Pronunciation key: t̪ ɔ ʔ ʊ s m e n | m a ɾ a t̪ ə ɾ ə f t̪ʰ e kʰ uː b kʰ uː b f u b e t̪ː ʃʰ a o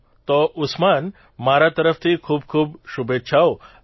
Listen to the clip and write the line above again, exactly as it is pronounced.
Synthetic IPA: t̪ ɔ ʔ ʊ s m a n | m a ɾ a t̪ ə ɾ ə f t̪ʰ i kʰ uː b kʰ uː b ʃ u b e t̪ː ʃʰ a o